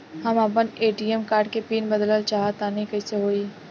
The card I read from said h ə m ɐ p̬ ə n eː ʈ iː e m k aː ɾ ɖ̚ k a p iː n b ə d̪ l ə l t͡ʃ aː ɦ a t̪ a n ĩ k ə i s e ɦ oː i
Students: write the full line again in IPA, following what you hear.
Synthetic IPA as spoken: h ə m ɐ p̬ ə n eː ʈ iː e m k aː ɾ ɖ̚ k e p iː n b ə d̪ l ə l t͡ʃ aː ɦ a t̪ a n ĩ k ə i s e ɦ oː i